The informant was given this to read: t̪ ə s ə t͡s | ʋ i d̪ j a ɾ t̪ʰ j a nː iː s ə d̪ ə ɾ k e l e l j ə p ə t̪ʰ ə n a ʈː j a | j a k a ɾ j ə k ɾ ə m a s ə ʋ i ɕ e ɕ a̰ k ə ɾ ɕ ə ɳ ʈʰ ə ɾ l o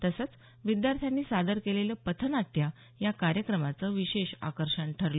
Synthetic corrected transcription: t̪ ə s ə t͡s | ʋ i d̪ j a ɾ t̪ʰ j a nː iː s a d̪ ə ɾ k e l e l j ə p ə t̪ʰ ə n a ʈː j a | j a k a ɾ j ə k ɾ ə m a t͡s ə ʋ i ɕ e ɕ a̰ k ə ɾ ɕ ə ɳ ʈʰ ə ɾ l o